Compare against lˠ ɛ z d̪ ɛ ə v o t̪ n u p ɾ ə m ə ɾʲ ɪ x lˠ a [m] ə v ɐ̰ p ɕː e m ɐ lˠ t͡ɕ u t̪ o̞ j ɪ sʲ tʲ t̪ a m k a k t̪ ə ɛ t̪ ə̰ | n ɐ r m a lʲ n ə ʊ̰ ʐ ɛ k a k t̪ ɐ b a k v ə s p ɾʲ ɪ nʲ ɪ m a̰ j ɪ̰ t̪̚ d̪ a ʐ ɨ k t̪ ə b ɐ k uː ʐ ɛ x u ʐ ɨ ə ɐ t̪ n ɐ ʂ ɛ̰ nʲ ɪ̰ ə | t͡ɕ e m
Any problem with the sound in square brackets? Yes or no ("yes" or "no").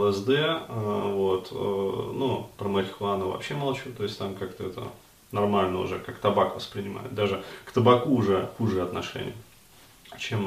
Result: yes